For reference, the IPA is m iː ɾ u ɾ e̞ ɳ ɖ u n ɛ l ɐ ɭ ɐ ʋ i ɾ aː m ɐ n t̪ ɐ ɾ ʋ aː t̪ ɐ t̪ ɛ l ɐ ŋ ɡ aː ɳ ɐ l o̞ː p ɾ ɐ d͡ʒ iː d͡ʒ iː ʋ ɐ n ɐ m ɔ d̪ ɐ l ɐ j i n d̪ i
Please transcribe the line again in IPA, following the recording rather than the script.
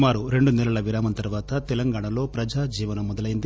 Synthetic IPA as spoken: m aː ɾ u ɾ e̞ ɳ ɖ u n ɛ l ɐ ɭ ɐ ʋ i ɾ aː m ɐ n t̪ ɐ ɾ ʋ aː t̪ ɐ t̪ ɛ l ɐ ŋ ɡ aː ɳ ɐ l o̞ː p ɾ ɐ d͡ʒ aː d͡ʒ iː ʋ ɐ n ɐ m ɔ d̪ ɐ l ɐ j i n d̪ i